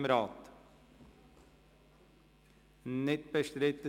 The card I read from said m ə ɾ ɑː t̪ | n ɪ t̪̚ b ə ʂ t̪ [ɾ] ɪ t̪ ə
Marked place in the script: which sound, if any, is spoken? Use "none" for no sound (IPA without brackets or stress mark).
ɾ